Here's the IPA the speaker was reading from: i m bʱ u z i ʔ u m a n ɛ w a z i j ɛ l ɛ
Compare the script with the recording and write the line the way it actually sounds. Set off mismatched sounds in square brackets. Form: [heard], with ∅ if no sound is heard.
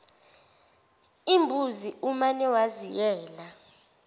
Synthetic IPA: i m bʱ u z i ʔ u m a n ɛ w a z i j [ɛː] l [a]